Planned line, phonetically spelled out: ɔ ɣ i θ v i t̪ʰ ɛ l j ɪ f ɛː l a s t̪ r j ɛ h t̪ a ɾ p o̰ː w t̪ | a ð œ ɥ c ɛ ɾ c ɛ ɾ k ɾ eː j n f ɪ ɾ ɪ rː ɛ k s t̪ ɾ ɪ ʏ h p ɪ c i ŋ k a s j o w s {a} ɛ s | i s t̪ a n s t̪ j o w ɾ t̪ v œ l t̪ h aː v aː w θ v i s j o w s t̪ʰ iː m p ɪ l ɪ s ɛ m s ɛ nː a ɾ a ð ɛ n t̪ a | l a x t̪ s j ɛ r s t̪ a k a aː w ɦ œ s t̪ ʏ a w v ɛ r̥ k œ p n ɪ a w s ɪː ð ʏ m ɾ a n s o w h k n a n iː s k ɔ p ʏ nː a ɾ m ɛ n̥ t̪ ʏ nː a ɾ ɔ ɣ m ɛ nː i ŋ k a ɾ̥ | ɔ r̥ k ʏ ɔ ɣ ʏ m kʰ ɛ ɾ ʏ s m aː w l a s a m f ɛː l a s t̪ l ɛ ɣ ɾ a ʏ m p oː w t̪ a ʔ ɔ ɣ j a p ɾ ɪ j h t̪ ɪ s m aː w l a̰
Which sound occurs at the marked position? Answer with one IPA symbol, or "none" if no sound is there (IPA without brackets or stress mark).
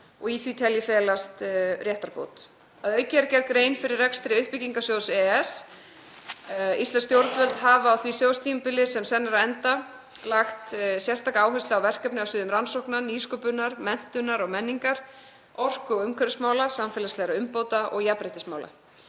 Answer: ɛ